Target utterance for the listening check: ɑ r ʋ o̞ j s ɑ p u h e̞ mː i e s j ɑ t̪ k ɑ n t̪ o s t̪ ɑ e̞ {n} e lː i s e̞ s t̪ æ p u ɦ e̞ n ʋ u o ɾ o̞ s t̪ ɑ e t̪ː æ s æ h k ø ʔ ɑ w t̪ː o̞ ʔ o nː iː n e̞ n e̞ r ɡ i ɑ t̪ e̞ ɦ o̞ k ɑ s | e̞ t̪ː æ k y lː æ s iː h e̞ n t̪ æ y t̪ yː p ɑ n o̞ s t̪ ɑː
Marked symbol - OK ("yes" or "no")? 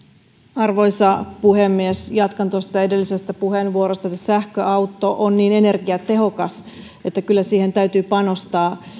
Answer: no